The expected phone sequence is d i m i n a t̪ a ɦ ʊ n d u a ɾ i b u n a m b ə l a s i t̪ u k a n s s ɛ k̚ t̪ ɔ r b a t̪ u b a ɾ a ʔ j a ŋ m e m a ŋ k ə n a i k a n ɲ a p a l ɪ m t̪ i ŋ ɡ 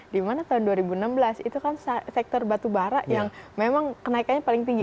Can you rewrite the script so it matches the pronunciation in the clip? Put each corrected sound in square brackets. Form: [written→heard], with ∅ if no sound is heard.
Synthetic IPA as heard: d i m [i→a] n a t̪ a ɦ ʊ n d u a ɾ i b u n a m b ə l a s i t̪ u k a n s s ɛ k̚ t̪ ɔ r b a t̪ u b a ɾ a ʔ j a ŋ m e m a ŋ k ə n a i k a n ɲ a p a l ɪ [m→ŋ] t̪ i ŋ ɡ